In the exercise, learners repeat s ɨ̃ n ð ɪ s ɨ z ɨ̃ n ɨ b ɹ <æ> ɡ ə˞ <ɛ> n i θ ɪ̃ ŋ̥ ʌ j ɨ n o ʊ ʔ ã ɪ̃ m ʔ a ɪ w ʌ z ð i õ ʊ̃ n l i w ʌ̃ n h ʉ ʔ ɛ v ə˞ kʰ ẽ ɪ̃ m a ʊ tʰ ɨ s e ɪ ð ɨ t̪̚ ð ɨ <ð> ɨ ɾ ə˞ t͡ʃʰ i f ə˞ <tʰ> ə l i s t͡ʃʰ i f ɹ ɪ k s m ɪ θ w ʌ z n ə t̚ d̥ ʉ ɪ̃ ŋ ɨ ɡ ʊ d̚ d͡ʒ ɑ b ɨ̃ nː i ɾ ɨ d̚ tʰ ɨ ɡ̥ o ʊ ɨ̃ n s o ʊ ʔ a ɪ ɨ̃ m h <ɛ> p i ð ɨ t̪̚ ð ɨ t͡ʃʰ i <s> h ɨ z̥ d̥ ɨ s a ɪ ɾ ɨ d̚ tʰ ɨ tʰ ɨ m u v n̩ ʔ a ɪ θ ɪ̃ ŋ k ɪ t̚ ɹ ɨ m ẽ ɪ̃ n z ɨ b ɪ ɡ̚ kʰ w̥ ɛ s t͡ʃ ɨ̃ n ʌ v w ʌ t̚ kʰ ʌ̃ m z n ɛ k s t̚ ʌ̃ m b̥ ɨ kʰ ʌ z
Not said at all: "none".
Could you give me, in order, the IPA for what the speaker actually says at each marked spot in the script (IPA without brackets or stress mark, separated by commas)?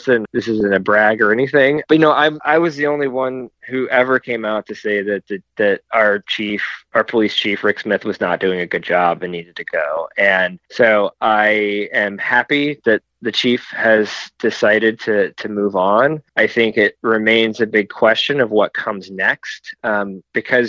æ, ɛ, ð, pʰ, æ, f